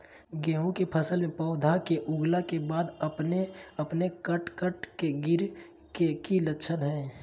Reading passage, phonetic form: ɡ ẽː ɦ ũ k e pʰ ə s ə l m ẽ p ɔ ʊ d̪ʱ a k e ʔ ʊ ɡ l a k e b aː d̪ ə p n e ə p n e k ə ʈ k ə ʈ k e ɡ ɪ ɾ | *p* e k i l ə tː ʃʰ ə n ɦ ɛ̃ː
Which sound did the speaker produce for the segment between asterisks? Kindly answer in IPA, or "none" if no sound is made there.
k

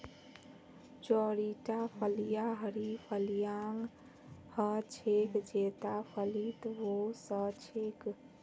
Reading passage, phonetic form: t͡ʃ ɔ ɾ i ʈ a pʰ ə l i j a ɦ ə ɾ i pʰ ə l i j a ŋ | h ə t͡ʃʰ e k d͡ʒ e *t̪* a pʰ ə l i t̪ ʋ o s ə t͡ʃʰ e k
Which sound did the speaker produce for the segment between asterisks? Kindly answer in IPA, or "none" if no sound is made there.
t̪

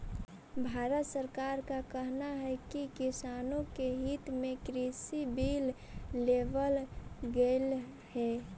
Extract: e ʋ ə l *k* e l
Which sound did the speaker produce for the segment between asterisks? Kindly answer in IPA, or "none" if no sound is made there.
ɡ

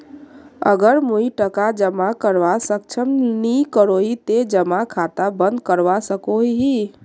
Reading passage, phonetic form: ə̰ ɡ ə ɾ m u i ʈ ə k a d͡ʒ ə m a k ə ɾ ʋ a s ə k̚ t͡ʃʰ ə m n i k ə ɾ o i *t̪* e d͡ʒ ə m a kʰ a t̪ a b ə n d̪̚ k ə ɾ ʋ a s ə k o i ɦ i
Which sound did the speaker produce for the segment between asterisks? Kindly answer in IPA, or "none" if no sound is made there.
t̪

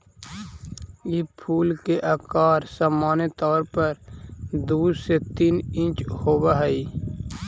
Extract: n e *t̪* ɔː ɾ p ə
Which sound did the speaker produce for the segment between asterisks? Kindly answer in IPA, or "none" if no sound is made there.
t̪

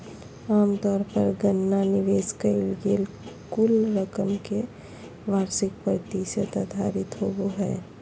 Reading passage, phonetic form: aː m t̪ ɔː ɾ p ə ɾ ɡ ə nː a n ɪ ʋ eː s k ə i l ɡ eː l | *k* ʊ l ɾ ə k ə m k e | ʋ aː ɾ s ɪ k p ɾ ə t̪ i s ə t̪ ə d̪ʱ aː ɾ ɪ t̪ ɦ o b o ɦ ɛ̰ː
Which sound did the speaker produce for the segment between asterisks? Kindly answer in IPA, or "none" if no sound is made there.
k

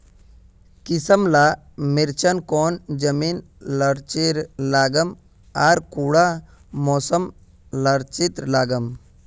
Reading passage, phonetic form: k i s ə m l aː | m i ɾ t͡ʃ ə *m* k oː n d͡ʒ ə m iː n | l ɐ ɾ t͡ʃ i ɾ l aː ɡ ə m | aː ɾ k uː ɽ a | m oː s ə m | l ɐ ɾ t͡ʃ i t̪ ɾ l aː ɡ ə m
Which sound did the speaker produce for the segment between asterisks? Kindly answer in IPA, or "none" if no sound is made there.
n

